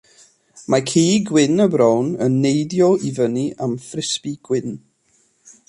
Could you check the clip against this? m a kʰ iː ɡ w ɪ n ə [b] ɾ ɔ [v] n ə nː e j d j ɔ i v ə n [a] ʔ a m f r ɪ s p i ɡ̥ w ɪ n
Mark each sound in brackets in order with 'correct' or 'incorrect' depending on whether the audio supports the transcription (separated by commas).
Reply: correct, incorrect, incorrect